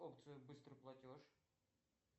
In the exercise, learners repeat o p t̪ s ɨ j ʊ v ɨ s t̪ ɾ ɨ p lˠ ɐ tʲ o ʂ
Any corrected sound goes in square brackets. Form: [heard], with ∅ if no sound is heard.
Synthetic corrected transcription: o p t̪ s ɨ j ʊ [b] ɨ s t̪ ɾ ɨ p lˠ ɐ tʲ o ʂ